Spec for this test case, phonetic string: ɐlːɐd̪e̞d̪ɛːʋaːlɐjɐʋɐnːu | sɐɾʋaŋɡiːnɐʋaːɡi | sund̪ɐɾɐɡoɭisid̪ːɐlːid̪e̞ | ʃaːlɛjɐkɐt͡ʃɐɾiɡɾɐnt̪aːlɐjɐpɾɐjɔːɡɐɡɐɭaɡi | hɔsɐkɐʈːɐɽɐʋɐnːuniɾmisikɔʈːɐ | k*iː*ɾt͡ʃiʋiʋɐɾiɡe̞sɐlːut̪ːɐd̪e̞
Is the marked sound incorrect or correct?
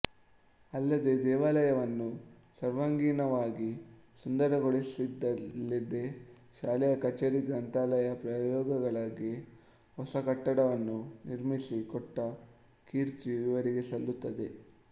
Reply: correct